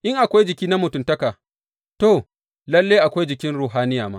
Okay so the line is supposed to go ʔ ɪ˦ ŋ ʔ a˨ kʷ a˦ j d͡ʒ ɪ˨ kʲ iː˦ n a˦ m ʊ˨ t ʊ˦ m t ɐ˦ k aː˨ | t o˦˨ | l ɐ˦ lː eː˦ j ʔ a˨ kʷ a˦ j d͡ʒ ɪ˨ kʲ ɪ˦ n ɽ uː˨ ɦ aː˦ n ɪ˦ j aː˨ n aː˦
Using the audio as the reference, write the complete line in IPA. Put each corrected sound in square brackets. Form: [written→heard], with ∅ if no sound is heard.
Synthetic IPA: ʔ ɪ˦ ŋ ʔ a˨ kʷ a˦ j d͡ʒ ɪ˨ kʲ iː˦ n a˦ m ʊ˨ t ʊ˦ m t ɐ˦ k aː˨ | t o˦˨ | l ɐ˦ lː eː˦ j ʔ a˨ kʷ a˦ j d͡ʒ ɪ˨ kʲ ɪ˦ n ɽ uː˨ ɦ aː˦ n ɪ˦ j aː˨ [n→m] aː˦